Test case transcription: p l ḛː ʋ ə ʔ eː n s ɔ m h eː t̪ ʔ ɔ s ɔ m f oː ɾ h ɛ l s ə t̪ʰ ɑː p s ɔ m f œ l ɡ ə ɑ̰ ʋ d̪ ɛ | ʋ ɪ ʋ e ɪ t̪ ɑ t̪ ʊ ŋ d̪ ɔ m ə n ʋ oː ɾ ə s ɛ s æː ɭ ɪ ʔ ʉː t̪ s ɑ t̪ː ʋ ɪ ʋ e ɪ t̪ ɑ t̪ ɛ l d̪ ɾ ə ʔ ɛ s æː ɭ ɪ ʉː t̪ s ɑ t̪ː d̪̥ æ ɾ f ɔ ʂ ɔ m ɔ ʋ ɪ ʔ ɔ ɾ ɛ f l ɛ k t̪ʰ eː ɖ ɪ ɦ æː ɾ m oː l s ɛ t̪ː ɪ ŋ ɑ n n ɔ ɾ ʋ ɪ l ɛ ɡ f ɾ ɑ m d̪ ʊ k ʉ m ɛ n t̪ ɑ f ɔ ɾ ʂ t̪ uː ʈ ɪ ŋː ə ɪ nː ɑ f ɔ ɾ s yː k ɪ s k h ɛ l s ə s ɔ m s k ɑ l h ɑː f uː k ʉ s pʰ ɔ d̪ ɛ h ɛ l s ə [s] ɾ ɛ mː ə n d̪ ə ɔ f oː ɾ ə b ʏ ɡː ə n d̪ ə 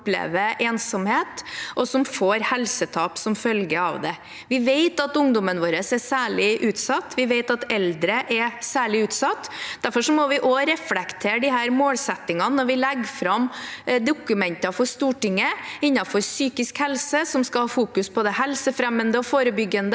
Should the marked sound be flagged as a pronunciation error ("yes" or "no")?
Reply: yes